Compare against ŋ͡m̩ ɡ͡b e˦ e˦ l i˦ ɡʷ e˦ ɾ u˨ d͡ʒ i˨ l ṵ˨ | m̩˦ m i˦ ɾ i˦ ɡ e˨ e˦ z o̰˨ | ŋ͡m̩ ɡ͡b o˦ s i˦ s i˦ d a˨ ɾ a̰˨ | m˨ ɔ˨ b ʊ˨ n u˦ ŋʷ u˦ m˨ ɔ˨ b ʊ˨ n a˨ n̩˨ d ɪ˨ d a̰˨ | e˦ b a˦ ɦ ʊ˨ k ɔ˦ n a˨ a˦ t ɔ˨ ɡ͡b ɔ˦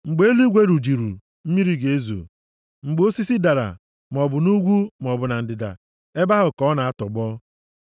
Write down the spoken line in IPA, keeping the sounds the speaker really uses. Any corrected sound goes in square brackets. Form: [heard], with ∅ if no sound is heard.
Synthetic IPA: ŋ͡m̩ ɡ͡b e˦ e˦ l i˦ ɡʷ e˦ ɾ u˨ d͡ʒ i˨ [ɾ] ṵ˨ | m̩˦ m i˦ ɾ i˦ ɡ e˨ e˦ z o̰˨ | ŋ͡m̩ ɡ͡b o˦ s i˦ s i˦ d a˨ ɾ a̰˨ | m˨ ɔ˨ b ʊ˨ n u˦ [ɡʷ] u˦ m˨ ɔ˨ b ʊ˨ n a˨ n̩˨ d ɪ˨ d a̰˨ | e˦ b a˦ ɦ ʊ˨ k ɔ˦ n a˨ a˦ t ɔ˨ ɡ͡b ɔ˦